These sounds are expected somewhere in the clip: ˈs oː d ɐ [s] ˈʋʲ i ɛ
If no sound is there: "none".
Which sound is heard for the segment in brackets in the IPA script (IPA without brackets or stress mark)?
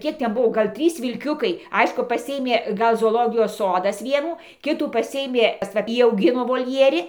s